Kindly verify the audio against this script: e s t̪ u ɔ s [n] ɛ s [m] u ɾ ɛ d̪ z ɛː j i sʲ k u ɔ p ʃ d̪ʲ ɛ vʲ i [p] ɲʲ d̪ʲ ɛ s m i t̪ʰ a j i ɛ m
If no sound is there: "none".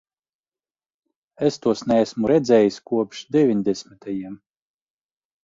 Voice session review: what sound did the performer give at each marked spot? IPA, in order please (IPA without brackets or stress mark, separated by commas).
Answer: n, m, none